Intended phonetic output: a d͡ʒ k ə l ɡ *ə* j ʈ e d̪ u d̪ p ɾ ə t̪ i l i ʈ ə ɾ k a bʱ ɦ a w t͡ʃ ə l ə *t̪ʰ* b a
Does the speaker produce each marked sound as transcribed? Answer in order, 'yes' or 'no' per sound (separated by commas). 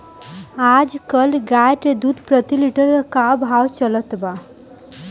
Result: no, no